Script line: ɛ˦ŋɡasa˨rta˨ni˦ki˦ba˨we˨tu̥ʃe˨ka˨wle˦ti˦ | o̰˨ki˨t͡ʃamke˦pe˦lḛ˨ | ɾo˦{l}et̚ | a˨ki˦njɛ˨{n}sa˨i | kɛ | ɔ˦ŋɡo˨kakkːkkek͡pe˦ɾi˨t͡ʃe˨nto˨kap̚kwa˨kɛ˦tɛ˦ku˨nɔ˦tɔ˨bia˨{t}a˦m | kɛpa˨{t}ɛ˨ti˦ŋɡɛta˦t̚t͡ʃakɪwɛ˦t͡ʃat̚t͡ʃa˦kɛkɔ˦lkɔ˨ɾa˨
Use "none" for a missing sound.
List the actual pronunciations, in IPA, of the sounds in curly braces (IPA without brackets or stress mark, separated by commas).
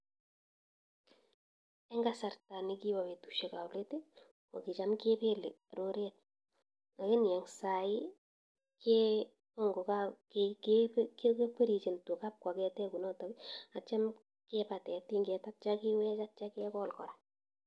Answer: ɾ, ŋ, t͡ʃ, t